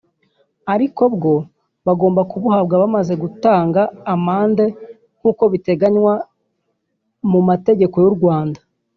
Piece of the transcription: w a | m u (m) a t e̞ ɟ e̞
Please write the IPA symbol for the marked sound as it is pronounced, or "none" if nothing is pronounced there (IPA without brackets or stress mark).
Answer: m